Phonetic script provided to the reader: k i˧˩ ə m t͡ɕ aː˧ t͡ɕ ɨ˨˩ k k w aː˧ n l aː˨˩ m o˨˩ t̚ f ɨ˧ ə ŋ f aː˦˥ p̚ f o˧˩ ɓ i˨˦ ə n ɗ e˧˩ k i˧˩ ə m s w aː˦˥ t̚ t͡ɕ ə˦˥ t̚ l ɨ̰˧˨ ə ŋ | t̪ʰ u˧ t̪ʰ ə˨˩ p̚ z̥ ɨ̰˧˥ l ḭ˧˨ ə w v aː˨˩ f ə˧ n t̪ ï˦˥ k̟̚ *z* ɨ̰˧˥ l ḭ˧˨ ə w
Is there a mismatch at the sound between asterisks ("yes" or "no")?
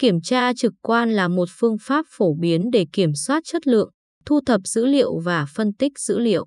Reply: no